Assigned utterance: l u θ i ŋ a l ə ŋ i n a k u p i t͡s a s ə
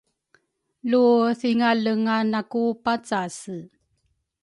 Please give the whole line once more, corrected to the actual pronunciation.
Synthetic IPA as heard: l u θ i ŋ a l ə ŋ a n a k u p a t͡s a s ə